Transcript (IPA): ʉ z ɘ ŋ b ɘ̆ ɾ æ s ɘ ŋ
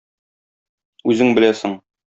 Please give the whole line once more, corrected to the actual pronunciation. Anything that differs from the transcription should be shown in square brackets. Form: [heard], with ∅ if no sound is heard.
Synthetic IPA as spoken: ʉ z ɘ ŋ b ɘ̆ [l] æ s ɘ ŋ